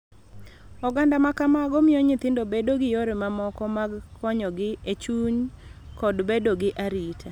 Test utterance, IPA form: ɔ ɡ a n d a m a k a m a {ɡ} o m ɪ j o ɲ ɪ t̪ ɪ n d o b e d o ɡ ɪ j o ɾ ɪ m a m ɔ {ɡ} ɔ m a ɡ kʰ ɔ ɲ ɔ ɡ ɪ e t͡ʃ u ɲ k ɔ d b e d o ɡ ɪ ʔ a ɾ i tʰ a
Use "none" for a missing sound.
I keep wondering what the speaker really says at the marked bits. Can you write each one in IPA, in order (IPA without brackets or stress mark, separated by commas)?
ɡ, k